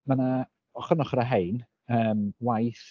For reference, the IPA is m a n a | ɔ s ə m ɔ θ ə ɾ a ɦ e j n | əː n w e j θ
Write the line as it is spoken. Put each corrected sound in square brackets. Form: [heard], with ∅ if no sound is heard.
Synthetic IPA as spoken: m a n a | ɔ [χ] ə [n] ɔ [χ] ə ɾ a ɦ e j n | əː [m] w [a] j θ